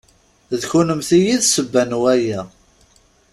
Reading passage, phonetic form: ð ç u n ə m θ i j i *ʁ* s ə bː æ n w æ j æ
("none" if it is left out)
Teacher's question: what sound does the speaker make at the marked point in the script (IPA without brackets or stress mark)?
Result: ð